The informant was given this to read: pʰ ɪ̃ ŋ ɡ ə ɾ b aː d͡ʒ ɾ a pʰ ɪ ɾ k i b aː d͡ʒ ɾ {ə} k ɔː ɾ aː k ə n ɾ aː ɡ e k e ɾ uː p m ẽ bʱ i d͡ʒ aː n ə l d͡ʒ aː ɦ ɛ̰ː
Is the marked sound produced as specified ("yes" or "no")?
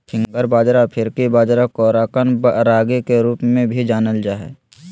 no